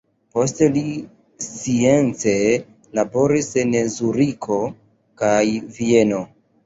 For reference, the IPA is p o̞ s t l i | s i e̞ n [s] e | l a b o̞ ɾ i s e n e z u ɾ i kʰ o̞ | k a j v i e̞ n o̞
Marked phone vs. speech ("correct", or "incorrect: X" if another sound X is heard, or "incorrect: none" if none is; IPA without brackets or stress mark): incorrect: t͡s